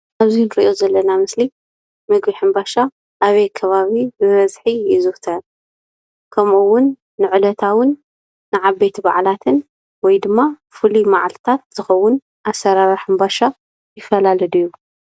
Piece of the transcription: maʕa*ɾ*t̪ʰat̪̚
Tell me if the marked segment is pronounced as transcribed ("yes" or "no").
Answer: no